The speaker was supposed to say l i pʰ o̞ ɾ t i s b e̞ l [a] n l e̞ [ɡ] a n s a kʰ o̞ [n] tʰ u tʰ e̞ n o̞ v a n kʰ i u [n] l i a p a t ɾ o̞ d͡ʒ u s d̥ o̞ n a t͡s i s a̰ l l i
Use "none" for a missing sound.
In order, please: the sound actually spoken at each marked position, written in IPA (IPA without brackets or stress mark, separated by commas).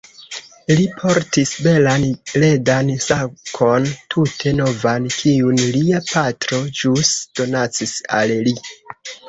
a, d, n, n